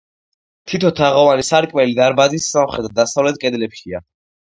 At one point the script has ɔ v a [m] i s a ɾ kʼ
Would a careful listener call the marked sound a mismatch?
yes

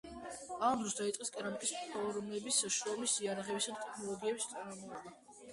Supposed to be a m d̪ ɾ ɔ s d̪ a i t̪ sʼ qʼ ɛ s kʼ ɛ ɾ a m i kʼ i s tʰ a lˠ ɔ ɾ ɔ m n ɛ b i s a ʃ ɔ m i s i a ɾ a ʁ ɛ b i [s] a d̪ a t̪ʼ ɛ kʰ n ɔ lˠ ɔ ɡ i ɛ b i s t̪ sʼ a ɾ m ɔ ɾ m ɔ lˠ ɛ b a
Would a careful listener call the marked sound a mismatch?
no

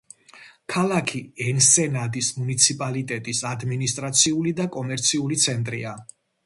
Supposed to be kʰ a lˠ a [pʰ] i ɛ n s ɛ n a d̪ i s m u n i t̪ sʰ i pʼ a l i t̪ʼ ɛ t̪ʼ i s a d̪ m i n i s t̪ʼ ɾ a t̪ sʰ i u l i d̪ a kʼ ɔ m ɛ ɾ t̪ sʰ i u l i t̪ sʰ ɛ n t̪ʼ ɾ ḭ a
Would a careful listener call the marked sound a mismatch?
yes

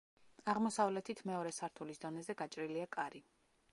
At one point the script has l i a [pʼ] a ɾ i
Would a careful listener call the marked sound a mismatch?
yes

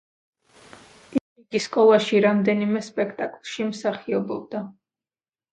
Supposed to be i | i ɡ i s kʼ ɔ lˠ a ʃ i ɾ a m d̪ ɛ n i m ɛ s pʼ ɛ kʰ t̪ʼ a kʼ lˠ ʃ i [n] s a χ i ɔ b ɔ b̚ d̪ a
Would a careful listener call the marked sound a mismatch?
yes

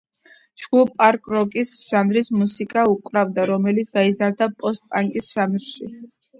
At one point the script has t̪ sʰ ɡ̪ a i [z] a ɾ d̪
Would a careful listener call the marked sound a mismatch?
no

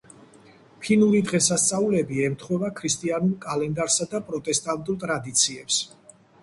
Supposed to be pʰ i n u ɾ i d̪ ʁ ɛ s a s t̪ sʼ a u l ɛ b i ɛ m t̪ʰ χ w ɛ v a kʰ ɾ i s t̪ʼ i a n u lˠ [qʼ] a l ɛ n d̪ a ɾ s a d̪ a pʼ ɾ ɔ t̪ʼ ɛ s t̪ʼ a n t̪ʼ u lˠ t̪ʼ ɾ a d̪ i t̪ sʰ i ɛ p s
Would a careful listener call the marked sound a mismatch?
yes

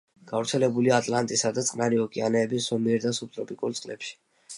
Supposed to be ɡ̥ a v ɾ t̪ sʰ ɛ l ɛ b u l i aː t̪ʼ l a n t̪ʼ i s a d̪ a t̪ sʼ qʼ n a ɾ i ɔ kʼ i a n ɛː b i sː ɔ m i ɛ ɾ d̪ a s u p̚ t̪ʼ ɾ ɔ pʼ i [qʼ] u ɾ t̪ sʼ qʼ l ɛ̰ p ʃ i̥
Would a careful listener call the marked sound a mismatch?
yes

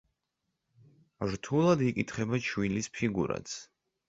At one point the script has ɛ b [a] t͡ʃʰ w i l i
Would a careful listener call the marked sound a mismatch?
no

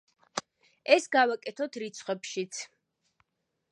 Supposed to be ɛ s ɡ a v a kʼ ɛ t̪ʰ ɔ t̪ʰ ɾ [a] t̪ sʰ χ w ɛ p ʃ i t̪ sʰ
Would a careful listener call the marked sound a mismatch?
yes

